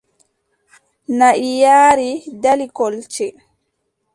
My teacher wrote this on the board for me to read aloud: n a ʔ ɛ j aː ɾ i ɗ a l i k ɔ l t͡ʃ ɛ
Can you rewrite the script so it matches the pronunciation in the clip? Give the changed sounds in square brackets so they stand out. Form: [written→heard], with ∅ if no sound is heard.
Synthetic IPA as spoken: n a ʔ [ɛ→i] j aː ɾ i [ɗ→d] a l i k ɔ l t͡ʃ ɛ